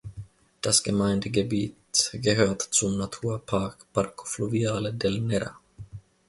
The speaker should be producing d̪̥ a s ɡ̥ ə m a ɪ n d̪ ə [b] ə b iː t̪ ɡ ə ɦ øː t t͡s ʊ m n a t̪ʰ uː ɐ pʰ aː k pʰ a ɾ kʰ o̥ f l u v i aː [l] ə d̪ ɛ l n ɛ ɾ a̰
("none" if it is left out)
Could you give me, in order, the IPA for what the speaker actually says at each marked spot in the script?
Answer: ɡ, l

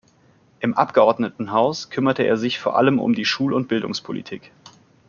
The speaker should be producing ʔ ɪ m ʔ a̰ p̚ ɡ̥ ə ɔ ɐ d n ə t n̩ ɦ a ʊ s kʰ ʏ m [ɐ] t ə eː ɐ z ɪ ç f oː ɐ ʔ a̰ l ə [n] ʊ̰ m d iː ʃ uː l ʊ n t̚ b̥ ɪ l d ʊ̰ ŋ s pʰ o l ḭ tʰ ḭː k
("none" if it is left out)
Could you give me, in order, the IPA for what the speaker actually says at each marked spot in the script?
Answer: ɐ, m

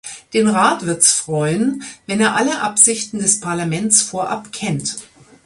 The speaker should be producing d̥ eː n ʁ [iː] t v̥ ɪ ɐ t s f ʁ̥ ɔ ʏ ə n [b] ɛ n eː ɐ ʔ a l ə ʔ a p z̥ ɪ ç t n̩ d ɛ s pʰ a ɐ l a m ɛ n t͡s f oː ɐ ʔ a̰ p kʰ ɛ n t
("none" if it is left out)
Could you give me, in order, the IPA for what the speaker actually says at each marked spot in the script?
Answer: aː, v

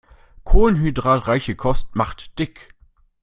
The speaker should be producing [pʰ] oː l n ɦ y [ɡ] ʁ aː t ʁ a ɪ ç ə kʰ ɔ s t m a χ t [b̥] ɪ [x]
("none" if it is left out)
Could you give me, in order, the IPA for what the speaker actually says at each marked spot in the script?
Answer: kʰ, d, d̥, k

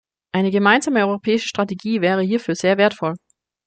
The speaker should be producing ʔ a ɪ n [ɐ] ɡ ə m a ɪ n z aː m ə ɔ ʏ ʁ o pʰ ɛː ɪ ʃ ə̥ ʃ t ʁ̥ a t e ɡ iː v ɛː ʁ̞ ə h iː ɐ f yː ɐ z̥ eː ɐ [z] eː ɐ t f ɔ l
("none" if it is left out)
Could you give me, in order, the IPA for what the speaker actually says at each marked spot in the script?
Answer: ə, v

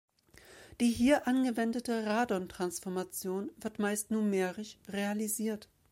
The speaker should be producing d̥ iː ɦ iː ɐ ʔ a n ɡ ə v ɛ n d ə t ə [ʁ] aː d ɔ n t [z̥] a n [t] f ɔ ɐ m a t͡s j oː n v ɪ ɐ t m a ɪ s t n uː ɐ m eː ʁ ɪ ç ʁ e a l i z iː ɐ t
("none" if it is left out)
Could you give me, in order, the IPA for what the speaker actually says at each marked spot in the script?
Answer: ʁ, ʁ̥, s

